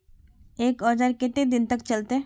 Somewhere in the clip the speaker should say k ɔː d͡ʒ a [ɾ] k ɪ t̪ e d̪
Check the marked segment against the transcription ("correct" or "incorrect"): correct